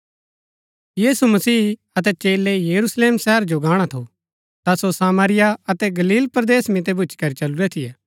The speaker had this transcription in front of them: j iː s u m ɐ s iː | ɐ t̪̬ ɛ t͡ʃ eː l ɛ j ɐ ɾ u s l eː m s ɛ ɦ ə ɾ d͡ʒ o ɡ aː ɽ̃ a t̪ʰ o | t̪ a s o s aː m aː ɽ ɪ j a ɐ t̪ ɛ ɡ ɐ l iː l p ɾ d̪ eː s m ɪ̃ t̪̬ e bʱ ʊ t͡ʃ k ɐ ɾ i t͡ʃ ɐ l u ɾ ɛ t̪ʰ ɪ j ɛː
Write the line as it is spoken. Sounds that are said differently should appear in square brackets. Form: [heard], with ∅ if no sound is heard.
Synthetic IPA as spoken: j iː s u m ɐ s iː | ɐ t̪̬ ɛ t͡ʃ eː l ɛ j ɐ ɾ u s l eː m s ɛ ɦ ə ɾ d͡ʒ o ɡ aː ɽ̃ a t̪ʰ o | t̪ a s o s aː m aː [ɾ] ɪ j a ɐ t̪ ɛ ɡ ɐ l iː l p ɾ d̪ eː s m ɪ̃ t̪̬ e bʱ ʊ t͡ʃ k ɐ ɾ i t͡ʃ ɐ l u ɾ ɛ t̪ʰ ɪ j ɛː

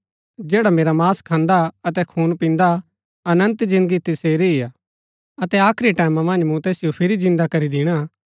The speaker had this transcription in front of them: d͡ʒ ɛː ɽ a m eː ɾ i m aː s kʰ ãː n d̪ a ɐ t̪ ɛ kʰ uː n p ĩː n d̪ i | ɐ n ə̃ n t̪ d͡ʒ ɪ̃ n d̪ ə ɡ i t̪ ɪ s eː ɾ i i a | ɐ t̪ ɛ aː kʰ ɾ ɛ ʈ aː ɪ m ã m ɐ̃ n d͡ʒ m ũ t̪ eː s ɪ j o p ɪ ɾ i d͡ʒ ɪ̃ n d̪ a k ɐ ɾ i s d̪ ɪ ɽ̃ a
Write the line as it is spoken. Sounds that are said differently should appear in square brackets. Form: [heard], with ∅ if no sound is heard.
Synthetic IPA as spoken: d͡ʒ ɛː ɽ a m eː ɾ [a] m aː s kʰ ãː n d̪ a ɐ t̪ ɛ kʰ uː n p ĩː n d̪ [a] | ɐ n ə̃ n t̪ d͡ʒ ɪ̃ n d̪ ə ɡ i t̪ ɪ s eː ɾ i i a | ɐ t̪ ɛ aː kʰ ɾ [i] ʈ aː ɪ m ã m ɐ̃ n d͡ʒ m ũ t̪ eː s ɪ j o [pʰ] ɪ ɾ i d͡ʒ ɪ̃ n d̪ a k ɐ ɾ i [∅] d̪ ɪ ɽ̃ a

